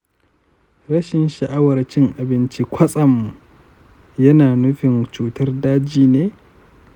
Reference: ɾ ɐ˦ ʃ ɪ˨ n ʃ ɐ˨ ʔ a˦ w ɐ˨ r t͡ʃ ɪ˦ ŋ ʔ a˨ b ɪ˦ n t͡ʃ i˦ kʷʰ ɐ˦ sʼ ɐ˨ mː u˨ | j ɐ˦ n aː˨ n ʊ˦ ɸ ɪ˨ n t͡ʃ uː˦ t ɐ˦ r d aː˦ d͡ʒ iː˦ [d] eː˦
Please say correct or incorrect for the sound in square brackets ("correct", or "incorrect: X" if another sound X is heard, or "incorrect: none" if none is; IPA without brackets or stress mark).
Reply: incorrect: n